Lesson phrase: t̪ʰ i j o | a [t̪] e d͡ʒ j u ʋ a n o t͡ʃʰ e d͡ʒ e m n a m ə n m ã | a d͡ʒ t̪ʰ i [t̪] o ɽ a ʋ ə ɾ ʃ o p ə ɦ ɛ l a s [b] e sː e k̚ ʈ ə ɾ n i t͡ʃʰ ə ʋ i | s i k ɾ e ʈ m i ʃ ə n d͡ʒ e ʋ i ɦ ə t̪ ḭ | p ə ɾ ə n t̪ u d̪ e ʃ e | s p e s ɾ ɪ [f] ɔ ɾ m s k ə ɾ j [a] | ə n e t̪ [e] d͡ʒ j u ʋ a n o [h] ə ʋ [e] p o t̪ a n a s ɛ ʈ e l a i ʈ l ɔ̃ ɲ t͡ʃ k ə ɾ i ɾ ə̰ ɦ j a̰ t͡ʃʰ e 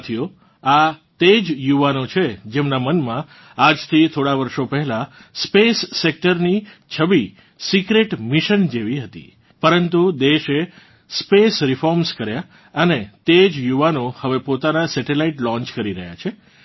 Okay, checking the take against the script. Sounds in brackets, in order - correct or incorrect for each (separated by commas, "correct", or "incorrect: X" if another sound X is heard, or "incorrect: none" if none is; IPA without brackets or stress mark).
correct, incorrect: t̪ʰ, incorrect: p, correct, correct, correct, correct, correct